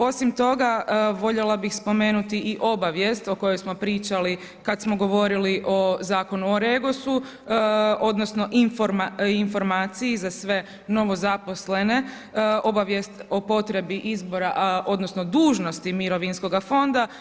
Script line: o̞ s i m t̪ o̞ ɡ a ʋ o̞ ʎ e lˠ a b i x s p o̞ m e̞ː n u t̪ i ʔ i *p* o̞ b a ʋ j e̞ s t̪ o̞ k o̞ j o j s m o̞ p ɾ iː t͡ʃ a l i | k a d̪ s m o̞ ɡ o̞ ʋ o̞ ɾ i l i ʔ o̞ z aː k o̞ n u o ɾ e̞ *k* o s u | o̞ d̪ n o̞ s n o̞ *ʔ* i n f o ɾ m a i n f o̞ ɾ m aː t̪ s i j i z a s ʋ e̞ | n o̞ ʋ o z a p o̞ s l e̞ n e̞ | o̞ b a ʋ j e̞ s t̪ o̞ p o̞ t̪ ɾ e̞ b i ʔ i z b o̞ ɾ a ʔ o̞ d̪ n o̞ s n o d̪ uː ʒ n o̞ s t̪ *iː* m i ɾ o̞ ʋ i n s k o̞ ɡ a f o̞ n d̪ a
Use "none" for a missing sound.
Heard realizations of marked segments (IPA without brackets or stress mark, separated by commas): ʔ, ɡ, ʔ, i